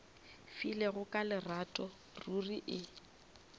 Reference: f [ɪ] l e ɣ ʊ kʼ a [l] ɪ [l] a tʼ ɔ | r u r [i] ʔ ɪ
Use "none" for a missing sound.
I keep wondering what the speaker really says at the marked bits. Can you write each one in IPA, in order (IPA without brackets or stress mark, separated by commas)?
i, l, r, i